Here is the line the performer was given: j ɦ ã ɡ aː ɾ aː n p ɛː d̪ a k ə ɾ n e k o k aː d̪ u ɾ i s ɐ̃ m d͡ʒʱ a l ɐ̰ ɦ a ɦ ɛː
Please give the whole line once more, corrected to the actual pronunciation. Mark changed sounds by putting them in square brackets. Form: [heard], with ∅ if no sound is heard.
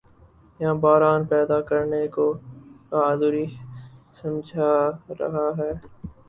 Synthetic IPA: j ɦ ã [b] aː ɾ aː n p ɛː d̪ a k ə ɾ n e k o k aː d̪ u ɾ i s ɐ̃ m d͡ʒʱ a [ɾ] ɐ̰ ɦ a ɦ ɛː